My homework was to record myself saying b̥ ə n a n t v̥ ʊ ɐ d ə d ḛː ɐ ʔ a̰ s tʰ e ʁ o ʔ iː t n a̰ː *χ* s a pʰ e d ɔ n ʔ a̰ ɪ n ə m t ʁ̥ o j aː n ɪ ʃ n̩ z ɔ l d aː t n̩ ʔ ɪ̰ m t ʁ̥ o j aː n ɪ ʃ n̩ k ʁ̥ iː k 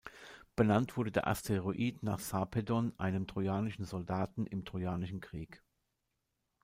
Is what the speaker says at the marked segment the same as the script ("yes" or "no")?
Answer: yes